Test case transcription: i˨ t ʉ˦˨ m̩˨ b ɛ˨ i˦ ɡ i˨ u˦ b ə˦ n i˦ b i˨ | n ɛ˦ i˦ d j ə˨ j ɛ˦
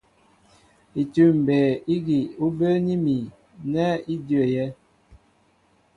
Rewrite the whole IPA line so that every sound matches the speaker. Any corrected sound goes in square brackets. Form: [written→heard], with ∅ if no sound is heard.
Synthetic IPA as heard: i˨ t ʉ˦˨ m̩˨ b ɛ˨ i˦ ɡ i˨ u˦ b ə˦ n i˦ [b→m] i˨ | n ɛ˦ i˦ d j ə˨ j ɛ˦